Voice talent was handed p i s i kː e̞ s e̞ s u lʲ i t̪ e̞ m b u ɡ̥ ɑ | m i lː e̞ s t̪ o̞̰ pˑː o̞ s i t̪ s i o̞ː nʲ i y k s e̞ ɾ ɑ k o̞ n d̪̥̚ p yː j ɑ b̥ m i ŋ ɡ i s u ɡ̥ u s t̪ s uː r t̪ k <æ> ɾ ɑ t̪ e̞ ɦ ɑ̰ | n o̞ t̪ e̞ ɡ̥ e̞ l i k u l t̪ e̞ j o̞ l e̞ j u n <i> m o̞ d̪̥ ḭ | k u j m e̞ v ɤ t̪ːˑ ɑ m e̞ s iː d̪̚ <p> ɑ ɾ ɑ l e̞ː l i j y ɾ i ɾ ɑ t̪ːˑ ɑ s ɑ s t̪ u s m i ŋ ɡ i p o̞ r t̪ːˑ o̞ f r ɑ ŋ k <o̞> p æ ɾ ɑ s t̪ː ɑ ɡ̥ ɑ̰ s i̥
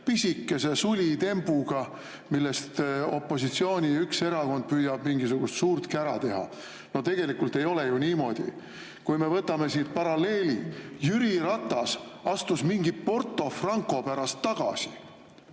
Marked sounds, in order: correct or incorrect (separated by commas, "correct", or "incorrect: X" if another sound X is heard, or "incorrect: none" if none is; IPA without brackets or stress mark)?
correct, incorrect: iː, correct, correct